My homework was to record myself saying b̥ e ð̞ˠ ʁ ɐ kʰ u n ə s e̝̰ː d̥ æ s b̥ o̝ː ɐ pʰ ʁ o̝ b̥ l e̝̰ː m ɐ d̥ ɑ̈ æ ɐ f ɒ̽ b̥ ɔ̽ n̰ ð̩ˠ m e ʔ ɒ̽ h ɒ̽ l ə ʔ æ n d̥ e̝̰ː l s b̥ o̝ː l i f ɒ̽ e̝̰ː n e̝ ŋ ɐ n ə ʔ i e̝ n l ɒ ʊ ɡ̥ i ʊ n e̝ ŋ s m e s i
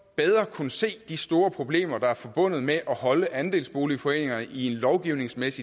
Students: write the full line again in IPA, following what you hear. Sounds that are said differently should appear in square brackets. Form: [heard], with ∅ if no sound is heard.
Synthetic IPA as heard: b̥ e ð̞ˠ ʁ ɐ kʰ u n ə s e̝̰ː d̥ [i] s [d̥] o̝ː ɐ pʰ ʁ o̝ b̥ l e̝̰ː m ɐ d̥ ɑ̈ æ ɐ f ɒ̽ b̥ ɔ̽ n̰ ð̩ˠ m e ʔ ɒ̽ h ɒ̽ l ə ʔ æ n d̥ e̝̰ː l s b̥ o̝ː l i f ɒ̽ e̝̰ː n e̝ ŋ ɐ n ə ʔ i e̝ n l ɒ ʊ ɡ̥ i ʊ n e̝ ŋ s m e s i